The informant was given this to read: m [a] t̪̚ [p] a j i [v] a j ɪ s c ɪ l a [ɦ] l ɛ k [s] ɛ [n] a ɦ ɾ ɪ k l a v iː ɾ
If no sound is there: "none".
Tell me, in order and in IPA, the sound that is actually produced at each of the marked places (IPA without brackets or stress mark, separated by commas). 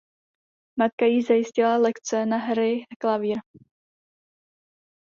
a, k, z, none, t͡s, n